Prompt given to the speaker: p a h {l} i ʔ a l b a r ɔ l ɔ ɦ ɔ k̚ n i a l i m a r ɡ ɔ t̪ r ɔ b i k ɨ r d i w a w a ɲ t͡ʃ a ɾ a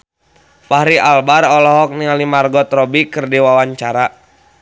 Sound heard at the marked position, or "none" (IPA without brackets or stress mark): ɾ